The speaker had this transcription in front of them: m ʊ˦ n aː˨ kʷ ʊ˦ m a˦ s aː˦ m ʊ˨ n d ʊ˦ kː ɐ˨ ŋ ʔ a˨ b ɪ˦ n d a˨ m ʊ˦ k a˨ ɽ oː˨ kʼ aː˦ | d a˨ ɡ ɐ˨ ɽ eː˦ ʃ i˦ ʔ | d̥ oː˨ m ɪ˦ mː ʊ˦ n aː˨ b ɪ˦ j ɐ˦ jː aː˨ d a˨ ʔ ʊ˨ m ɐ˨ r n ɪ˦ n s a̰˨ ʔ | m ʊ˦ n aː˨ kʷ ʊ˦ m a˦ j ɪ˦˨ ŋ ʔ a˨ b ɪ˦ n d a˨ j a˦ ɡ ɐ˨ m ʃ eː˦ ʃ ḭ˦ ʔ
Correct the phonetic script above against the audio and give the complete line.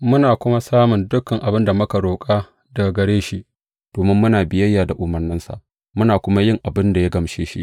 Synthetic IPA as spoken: m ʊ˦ n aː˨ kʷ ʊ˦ m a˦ s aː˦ m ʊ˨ n d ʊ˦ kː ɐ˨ ŋ ʔ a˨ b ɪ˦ n d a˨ m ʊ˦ k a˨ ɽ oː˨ kʼ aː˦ | d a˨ ɡ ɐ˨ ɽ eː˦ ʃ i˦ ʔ | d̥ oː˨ m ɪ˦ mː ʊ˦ n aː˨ b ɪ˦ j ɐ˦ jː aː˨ d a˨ ʔ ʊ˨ m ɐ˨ r n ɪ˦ n s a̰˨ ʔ | m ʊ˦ n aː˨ kʷ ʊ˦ m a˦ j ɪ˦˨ ŋ ʔ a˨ b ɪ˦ n d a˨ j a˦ ɡ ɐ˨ m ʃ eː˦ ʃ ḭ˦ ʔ